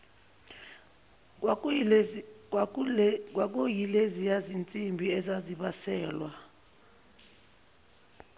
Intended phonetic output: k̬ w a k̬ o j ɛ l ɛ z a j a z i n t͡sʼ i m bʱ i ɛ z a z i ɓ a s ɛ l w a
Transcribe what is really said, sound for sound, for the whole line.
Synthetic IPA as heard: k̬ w a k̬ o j i l e z i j a z i n t͡sʼ i m bʱ i ɛ z a z i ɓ a s ɛː l w a